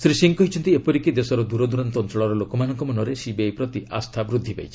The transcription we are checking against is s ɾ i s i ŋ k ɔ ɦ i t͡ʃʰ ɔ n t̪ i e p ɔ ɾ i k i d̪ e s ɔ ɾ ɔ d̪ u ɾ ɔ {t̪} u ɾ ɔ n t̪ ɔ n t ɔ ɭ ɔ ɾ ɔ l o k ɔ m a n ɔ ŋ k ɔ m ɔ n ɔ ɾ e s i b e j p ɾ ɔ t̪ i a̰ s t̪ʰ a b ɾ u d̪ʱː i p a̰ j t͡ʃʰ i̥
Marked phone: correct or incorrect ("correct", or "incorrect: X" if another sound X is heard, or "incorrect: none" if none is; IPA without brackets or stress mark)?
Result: incorrect: d̪